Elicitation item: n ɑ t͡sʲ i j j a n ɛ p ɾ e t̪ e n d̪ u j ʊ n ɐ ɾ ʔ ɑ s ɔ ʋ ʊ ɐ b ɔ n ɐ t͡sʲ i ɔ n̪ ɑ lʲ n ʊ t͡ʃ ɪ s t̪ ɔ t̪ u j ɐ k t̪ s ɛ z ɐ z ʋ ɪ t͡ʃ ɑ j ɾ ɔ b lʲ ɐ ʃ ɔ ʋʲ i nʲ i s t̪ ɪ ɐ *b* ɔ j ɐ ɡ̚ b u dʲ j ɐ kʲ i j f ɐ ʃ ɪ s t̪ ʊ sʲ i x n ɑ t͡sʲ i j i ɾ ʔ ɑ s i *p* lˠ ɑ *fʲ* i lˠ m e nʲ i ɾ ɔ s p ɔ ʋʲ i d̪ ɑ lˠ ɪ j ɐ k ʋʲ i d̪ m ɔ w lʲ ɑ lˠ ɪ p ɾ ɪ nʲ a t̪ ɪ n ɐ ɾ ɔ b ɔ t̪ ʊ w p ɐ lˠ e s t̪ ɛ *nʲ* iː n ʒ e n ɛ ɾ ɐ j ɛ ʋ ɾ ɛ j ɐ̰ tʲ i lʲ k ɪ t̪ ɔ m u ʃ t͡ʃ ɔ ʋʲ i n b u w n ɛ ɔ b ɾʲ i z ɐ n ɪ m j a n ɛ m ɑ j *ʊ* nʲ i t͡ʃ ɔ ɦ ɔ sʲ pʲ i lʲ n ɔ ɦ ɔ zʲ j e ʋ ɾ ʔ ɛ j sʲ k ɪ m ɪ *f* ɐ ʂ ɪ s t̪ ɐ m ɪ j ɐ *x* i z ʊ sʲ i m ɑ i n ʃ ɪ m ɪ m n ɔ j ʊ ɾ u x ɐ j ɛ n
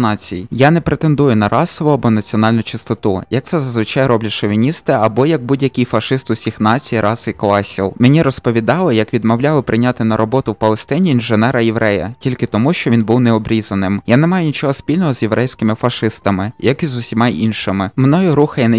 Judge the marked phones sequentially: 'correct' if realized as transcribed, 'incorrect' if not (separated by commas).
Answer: correct, incorrect, incorrect, correct, correct, correct, incorrect